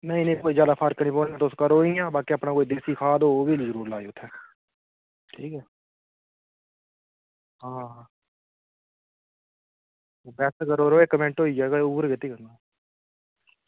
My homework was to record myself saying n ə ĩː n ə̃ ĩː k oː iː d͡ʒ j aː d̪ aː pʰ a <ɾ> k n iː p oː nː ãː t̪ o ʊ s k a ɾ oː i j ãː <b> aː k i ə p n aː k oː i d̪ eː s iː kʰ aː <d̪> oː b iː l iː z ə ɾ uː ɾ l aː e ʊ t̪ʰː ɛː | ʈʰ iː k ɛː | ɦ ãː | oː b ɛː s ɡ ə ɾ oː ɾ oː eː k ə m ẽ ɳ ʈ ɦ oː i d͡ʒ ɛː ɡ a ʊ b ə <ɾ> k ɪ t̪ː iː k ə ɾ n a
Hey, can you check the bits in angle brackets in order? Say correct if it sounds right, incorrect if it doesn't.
correct, correct, correct, correct

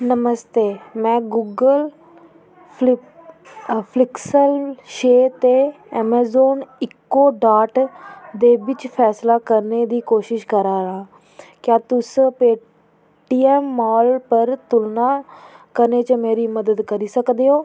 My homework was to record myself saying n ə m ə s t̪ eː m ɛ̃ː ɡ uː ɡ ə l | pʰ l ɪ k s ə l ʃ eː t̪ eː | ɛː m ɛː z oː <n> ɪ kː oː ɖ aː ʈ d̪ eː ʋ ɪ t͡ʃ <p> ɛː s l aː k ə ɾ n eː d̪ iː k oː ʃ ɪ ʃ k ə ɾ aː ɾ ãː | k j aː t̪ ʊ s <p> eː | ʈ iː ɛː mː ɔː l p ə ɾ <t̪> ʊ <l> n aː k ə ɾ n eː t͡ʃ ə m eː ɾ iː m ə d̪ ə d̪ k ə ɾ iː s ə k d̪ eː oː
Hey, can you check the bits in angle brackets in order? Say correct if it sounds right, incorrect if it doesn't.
correct, incorrect, correct, correct, correct

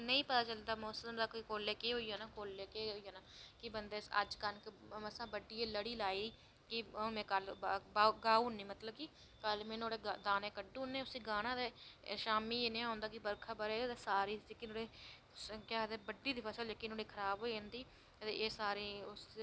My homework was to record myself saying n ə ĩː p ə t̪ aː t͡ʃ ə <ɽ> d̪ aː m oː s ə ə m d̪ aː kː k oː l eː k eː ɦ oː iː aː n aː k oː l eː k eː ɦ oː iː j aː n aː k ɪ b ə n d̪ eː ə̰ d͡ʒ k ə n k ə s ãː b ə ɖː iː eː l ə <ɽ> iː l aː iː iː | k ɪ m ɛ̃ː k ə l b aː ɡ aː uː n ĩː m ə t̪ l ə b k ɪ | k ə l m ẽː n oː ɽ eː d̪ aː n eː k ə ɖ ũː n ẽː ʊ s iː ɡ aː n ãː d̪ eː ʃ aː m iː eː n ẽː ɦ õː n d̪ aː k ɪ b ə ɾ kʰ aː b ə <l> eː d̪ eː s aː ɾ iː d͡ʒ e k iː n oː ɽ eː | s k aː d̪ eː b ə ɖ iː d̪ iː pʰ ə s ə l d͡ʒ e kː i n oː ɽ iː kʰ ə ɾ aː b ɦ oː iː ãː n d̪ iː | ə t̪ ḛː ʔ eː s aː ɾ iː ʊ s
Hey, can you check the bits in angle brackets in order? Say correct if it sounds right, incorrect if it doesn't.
incorrect, correct, incorrect

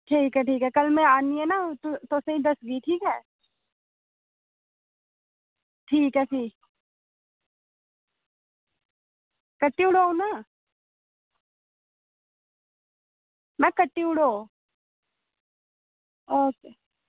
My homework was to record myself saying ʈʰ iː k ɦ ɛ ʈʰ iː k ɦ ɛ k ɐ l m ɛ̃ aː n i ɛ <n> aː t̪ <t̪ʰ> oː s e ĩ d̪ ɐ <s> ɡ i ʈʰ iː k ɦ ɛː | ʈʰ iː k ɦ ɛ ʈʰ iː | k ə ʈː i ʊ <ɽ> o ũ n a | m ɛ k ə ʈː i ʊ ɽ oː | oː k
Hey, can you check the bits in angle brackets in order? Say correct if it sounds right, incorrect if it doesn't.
correct, incorrect, correct, correct

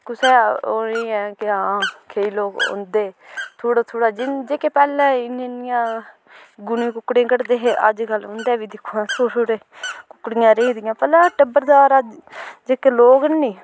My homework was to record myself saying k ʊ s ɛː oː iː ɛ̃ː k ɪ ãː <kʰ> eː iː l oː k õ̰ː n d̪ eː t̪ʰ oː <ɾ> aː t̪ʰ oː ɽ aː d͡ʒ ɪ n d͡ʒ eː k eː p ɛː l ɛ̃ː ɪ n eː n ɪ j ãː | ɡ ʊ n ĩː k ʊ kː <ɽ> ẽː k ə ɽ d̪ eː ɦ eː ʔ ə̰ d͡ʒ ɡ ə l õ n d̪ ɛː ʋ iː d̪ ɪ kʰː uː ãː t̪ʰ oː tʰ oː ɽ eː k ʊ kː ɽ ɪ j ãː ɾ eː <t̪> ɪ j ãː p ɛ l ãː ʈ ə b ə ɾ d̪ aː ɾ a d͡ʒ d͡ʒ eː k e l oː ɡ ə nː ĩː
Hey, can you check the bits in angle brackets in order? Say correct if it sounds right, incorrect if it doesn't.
correct, incorrect, correct, incorrect

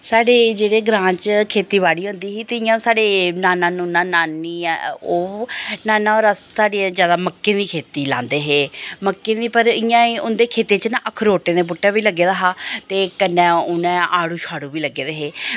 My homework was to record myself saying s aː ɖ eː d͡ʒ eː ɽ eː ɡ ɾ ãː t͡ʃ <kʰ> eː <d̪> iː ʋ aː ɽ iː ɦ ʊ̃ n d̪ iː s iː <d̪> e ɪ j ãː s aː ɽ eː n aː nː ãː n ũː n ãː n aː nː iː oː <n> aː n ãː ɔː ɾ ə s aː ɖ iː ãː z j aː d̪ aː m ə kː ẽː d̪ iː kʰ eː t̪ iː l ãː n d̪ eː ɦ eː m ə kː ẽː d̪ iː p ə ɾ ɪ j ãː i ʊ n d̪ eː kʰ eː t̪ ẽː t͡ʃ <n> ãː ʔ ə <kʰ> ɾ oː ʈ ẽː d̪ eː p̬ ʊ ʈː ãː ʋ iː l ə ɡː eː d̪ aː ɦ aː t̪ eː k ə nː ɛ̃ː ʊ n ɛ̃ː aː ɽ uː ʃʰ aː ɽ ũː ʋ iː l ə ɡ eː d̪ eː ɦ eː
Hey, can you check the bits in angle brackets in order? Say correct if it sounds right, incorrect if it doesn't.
correct, incorrect, incorrect, correct, correct, correct

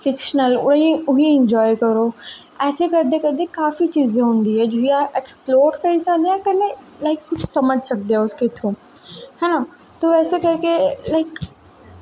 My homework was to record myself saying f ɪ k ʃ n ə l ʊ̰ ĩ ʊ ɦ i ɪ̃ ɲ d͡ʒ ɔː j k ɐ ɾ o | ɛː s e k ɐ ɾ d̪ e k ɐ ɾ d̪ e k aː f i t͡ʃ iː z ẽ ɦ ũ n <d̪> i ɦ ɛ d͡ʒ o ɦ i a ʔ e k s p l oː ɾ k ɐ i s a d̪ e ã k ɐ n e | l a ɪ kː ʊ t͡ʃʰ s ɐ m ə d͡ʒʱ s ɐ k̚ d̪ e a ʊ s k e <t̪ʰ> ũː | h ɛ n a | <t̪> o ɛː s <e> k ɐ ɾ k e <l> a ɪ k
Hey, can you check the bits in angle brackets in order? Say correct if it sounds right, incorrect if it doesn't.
correct, correct, correct, correct, correct

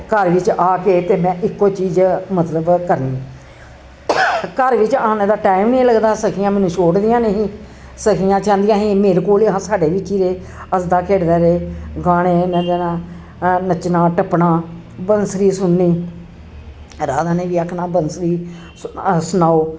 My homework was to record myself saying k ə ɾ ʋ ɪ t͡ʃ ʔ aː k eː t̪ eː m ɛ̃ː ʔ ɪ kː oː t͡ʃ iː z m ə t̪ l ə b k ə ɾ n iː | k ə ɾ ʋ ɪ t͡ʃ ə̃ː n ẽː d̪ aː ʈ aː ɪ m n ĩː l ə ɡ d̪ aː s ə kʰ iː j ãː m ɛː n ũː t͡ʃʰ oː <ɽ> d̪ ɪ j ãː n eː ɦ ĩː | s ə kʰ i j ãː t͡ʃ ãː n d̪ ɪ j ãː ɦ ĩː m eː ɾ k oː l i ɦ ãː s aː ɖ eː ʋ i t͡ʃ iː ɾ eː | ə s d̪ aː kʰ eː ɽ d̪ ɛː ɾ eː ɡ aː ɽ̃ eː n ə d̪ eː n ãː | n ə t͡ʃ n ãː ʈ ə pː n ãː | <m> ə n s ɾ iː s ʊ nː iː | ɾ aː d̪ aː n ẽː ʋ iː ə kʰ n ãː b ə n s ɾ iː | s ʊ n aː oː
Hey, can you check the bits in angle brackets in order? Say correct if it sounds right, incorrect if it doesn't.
correct, incorrect

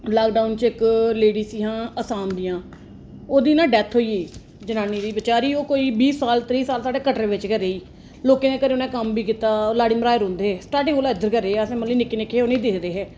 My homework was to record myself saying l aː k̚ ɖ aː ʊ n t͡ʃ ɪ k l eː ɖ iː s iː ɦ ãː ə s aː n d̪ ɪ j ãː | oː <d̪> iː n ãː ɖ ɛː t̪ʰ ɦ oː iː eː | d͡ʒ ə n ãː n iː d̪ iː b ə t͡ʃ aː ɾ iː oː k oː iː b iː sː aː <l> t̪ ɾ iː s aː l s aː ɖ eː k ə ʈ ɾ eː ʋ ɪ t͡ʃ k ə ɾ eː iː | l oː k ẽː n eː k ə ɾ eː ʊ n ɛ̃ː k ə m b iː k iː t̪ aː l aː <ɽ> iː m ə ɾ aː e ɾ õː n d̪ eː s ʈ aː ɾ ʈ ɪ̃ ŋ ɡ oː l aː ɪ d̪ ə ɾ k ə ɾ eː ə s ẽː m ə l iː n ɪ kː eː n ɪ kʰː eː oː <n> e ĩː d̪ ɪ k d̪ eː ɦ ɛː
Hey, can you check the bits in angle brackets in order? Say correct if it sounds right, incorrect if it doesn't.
correct, correct, correct, correct

